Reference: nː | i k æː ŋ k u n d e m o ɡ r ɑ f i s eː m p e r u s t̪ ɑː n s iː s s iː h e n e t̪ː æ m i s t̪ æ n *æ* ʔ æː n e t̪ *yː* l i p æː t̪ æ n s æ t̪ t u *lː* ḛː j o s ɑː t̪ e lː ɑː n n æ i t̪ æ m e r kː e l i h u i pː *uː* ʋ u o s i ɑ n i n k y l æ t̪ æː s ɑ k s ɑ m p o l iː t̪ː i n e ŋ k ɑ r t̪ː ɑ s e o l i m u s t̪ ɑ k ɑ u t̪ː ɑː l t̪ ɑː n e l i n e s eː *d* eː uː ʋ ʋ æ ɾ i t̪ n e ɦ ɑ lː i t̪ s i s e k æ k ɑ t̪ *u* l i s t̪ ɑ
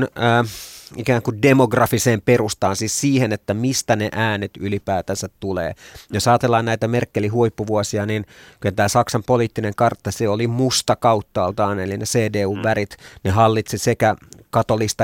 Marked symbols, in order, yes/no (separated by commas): no, no, no, no, yes, no